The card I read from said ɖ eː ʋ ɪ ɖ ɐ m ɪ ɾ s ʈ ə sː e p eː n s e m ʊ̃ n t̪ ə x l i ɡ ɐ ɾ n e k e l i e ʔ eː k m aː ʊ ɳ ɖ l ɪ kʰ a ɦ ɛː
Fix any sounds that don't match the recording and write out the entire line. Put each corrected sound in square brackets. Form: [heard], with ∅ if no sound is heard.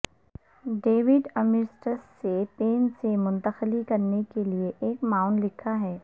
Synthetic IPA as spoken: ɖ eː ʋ ɪ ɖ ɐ m ɪ ɾ s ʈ ə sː e p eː n s e m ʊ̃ n t̪ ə x l i [k] ɐ ɾ n e k e l i e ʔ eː k m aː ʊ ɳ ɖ l ɪ kʰ a ɦ ɛː

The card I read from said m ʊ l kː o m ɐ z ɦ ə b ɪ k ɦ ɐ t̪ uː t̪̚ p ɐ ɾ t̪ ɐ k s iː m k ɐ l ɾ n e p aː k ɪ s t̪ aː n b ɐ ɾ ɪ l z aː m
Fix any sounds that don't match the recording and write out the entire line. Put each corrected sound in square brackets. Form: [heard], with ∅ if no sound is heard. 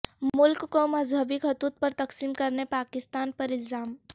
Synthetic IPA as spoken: m ʊ l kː o m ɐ z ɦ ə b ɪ k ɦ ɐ t̪ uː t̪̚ p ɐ ɾ t̪ ɐ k s iː m k ɐ [∅] ɾ n e p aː k ɪ s t̪ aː n [p] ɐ ɾ ɪ l z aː m

